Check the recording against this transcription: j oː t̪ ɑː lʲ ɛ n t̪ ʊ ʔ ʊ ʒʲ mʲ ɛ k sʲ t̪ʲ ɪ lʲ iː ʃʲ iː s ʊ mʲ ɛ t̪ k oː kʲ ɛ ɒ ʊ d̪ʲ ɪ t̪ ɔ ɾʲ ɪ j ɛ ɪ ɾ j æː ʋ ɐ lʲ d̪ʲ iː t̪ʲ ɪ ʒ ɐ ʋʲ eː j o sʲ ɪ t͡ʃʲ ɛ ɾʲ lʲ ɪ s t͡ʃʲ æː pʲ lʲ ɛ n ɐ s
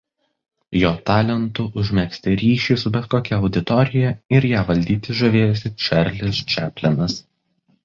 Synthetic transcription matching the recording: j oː t̪ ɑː lʲ ɛ n t̪ ʊ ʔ ʊ ʒʲ mʲ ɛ k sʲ t̪ʲ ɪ ɾʲ iː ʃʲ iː s ʊ bʲ ɛ t̪ k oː kʲ ɛ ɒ ʊ d̪ʲ ɪ t̪ ɔ ɾʲ ɪ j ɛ ɪ ɾ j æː ʋ ɐ lʲ d̪ʲ iː t̪ʲ ɪ ʒ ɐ ʋʲ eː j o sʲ ɪ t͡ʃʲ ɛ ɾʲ lʲ ɪ s t͡ʃʲ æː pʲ lʲ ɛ n ɐ s